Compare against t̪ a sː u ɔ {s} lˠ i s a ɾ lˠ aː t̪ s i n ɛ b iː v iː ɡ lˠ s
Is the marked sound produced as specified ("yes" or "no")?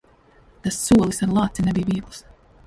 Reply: no